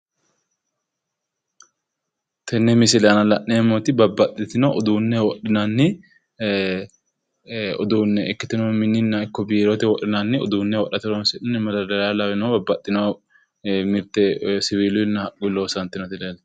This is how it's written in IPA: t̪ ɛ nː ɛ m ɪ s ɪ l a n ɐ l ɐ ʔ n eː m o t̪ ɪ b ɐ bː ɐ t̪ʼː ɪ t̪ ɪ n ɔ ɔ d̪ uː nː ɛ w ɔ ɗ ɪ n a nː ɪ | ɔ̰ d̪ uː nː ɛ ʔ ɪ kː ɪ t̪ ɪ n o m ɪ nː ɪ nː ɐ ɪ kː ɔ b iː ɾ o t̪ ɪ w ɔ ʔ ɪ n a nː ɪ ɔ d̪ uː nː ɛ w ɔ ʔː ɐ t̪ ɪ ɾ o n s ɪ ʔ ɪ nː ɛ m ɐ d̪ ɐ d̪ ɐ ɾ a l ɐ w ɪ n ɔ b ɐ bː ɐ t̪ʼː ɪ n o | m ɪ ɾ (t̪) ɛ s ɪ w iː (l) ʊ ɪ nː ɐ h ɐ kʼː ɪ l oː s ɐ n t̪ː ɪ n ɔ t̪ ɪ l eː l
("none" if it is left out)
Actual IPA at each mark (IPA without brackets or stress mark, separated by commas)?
t̪, l